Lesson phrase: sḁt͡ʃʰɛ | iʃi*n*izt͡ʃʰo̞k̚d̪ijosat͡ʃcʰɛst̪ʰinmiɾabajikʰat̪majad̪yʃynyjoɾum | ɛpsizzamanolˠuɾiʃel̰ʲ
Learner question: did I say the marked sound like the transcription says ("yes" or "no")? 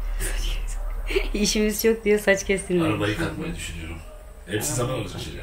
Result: no